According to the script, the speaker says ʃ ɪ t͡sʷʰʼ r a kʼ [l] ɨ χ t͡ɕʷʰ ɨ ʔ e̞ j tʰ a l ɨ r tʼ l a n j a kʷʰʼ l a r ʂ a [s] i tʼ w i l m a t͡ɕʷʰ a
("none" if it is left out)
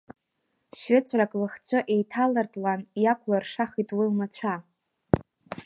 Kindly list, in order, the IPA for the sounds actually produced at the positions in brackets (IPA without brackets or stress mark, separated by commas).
l, χ